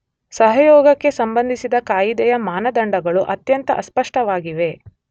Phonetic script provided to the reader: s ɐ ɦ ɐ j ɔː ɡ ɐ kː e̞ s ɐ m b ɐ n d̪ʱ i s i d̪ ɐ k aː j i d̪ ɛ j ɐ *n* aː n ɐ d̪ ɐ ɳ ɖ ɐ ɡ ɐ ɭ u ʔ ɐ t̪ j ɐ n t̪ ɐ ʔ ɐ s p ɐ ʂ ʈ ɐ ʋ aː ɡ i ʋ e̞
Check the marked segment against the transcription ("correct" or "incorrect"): incorrect